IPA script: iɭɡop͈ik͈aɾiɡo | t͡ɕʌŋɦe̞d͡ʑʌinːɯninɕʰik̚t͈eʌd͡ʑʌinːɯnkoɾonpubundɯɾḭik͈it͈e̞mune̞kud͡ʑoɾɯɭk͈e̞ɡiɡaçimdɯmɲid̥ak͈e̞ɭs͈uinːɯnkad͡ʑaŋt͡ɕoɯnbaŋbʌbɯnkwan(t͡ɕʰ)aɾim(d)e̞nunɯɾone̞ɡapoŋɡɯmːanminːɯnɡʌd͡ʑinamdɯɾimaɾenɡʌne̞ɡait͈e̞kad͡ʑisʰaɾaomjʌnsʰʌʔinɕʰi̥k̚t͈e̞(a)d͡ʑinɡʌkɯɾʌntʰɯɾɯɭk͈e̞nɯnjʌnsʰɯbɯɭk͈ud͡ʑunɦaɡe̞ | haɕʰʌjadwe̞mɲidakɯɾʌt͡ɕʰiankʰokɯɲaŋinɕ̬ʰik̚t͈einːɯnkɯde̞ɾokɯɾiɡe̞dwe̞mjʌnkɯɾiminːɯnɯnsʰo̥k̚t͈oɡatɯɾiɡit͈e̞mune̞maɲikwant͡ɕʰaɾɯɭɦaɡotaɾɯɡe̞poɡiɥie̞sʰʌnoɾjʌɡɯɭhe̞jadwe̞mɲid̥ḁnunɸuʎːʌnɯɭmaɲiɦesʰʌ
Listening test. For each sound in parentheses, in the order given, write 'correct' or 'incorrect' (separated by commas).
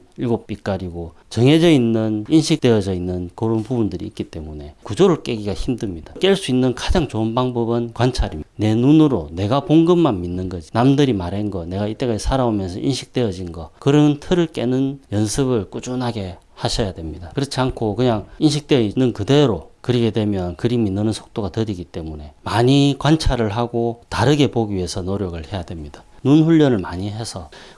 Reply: correct, incorrect, incorrect